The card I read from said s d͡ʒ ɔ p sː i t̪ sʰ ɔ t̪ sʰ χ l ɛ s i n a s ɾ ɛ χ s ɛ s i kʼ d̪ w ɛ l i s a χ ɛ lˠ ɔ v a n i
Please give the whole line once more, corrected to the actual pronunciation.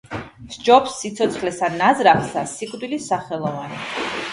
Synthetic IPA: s d͡ʒ ɔ p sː i t̪ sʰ ɔ t̪ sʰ χ l ɛ s a n a z ɾ a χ s a s i kʼ d̪ w i l i s a χ ɛ lˠ ɔ v a n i